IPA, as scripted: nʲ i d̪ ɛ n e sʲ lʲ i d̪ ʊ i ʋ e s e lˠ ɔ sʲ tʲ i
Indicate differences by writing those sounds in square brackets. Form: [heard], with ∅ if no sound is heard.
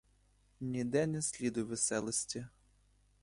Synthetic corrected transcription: nʲ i d̪ ɛ n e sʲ lʲ i d̪ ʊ [j] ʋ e s [ɛ] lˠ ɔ sʲ tʲ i